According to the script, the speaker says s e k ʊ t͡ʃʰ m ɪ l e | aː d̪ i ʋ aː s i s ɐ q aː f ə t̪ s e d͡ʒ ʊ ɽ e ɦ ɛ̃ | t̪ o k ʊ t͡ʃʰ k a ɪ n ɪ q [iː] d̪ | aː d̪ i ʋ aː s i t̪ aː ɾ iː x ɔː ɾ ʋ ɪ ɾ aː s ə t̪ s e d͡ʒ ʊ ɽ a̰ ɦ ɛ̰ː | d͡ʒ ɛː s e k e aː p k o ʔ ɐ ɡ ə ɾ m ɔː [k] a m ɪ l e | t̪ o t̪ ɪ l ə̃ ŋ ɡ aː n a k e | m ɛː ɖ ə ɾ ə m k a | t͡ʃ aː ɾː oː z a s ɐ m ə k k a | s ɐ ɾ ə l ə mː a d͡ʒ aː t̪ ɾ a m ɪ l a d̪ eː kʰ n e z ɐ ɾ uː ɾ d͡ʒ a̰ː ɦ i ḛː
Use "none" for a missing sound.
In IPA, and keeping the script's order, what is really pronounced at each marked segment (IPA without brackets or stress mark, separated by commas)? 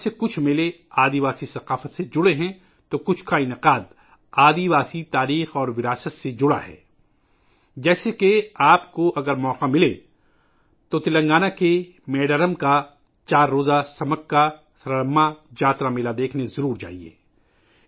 aː, q